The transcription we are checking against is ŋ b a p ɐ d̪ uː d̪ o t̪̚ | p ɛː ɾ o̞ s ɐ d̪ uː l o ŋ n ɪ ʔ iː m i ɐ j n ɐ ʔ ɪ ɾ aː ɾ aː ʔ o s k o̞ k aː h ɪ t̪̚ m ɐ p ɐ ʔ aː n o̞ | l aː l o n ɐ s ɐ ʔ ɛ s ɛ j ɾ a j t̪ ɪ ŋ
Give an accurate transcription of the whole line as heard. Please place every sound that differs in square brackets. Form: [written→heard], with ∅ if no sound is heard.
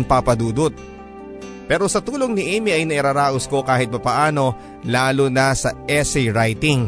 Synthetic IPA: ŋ [b→p] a p ɐ d̪ uː d̪ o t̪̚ | p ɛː ɾ o̞ s ɐ [d̪→t̪] uː l o ŋ n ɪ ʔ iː m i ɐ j n ɐ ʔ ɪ ɾ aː ɾ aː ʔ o s k o̞ k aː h ɪ t̪̚ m ɐ p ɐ ʔ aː n o̞ | l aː l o n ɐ s ɐ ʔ ɛ s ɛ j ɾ a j t̪ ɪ ŋ